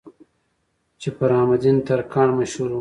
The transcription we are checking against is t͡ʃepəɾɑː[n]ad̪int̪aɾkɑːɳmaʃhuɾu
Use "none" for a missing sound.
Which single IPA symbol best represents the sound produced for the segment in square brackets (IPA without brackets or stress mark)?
m